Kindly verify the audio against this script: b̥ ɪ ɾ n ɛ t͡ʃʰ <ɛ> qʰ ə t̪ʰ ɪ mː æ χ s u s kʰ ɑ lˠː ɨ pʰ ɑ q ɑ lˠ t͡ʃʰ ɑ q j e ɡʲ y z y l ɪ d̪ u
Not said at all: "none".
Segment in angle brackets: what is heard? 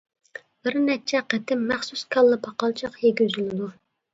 ɛ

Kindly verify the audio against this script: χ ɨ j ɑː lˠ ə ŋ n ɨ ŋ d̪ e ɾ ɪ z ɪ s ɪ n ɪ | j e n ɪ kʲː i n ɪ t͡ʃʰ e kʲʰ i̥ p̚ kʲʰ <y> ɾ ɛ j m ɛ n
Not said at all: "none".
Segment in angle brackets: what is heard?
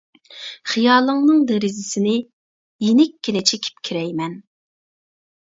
i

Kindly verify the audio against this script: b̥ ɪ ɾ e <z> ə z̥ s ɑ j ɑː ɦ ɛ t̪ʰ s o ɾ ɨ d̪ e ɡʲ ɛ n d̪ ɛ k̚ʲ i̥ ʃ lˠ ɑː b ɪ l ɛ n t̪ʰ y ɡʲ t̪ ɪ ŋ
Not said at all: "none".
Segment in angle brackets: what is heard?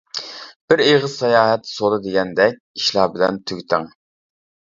ʁ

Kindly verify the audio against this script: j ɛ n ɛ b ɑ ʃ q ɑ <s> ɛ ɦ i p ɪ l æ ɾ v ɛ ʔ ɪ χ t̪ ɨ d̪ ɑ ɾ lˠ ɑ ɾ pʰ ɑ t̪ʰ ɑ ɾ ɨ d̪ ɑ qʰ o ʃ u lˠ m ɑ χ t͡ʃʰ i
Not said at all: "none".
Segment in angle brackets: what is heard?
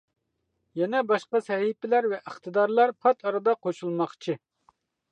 s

